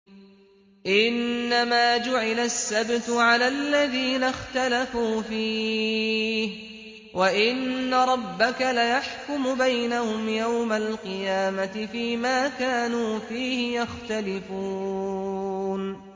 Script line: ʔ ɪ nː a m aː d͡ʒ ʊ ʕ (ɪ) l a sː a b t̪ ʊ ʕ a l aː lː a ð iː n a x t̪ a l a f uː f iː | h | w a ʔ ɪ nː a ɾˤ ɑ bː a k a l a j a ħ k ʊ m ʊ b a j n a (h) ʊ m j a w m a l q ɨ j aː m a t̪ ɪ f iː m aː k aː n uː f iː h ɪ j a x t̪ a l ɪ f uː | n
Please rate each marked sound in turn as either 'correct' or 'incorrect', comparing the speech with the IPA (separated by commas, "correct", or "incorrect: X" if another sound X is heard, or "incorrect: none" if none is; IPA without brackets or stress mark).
correct, correct